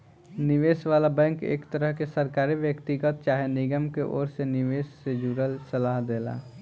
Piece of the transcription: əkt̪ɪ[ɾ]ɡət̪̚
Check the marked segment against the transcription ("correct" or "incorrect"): incorrect